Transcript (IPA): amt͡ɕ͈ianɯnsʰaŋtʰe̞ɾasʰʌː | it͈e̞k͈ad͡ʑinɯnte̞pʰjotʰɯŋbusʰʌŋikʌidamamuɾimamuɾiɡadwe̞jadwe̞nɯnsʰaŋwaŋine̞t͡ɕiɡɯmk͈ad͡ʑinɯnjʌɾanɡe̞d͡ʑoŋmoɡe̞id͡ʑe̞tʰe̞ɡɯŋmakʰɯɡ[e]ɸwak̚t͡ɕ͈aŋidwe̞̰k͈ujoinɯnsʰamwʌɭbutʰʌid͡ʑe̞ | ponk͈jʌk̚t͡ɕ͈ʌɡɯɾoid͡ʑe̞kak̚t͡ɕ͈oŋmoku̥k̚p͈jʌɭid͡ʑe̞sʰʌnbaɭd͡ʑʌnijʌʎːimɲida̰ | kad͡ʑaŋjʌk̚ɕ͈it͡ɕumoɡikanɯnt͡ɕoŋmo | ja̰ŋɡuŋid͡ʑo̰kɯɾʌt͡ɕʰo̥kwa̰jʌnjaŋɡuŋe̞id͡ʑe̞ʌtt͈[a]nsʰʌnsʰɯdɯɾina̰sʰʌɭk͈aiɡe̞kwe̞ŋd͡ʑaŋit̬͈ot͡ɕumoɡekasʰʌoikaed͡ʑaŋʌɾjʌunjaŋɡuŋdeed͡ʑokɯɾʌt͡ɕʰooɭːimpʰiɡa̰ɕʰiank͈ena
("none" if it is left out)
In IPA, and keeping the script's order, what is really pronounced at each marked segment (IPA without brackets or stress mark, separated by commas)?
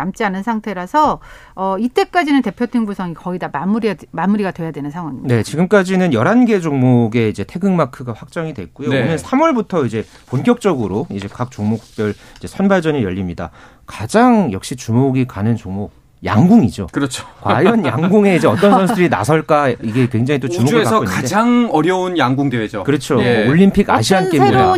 a, ʌ